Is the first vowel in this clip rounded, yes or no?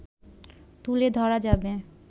yes